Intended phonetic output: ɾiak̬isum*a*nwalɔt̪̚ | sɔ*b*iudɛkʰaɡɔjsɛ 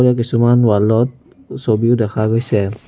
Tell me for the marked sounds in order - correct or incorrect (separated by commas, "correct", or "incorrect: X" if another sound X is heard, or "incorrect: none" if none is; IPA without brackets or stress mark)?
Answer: correct, correct